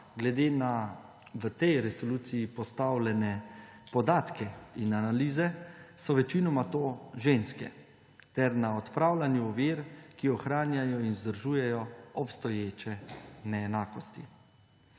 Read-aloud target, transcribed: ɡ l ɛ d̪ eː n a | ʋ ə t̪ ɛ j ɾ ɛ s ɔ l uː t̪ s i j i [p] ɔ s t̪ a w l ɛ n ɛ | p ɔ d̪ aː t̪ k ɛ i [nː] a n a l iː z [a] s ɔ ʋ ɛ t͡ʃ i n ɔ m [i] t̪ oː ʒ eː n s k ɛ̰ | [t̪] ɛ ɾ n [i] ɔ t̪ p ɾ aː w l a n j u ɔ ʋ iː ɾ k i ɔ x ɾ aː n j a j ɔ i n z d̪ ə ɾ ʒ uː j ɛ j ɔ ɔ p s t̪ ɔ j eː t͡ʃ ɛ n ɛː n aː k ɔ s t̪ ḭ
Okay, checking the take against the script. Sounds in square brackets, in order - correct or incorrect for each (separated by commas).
correct, incorrect, incorrect, incorrect, correct, incorrect